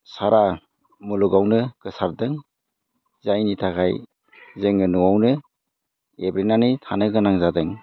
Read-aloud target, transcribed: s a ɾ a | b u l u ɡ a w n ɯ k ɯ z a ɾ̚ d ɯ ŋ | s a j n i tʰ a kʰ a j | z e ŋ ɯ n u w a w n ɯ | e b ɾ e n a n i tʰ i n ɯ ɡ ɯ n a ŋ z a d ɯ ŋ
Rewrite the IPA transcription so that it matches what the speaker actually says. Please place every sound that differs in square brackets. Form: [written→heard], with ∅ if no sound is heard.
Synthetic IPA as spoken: s a ɾ a | [b→m] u l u ɡ a w n ɯ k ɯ [z→s] a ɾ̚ d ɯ ŋ | [s→z] a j n i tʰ a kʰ a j | z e ŋ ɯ n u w a w n ɯ | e b ɾ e n a n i tʰ [i→a] n ɯ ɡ ɯ n a ŋ z a d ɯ ŋ